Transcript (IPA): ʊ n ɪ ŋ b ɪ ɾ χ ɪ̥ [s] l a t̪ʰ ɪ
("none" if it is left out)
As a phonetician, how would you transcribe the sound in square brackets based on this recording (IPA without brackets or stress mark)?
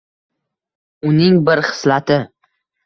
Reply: s